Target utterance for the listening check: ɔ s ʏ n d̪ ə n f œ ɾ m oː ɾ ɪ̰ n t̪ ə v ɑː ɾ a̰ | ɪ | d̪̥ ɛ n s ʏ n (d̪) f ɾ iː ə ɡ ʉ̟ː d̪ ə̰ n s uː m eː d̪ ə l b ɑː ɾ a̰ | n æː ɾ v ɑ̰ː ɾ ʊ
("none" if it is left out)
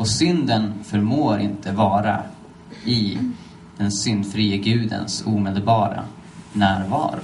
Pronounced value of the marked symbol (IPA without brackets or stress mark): d̪